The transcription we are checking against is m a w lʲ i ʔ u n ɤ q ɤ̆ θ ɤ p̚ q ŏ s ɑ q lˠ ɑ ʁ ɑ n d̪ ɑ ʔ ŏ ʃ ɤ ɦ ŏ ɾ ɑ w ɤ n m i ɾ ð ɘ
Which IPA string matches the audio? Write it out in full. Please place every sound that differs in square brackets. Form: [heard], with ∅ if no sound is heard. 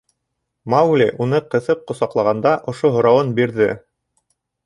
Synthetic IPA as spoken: m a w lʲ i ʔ u n ɤ q ɤ̆ θ ɤ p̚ q ŏ s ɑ q lˠ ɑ ʁ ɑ n d̪ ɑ ʔ ŏ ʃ [o] ɦ ŏ ɾ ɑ w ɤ n [b] i ɾ ð ɘ